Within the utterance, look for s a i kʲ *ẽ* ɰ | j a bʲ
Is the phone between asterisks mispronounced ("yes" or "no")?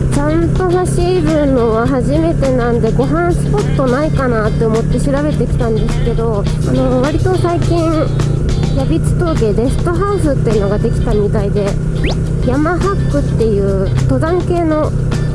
yes